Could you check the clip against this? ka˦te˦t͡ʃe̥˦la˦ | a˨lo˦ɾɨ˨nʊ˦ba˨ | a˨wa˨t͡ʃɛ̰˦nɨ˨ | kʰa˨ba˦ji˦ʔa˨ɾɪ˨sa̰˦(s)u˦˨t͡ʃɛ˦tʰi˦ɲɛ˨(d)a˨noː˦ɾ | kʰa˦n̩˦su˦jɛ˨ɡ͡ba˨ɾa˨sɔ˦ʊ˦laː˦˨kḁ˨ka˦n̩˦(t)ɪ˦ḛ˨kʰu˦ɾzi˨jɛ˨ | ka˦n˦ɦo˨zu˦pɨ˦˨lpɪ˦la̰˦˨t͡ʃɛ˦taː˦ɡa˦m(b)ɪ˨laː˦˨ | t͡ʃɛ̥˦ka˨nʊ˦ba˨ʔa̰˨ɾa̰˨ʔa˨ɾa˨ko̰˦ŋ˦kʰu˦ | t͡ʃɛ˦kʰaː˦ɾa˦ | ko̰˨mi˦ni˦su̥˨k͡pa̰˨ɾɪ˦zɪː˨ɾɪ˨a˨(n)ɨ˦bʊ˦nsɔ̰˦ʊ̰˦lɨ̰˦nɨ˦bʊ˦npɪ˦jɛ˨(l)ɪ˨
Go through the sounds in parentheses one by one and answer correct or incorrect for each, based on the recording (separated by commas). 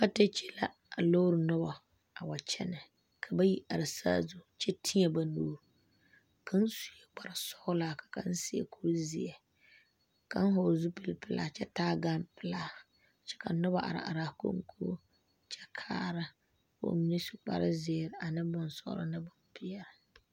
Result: incorrect, incorrect, incorrect, incorrect, correct, incorrect